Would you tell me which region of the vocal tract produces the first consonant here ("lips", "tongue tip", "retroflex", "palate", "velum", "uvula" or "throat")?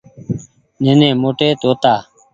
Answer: tongue tip